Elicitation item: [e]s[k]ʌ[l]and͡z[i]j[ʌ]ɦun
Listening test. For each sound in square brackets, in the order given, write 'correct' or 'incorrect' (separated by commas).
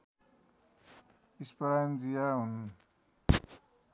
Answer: incorrect, incorrect, incorrect, correct, incorrect